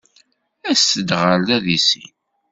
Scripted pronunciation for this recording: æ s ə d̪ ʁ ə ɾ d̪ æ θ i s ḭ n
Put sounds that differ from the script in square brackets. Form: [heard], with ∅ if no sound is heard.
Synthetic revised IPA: æ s ə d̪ ʁ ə [l] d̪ æ [ð] i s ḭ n